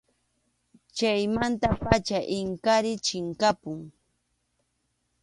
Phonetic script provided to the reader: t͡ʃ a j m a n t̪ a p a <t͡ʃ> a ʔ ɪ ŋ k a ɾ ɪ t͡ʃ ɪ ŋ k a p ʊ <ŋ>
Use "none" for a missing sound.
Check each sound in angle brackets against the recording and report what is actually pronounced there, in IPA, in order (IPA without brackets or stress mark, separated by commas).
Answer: t͡ʃ, ŋ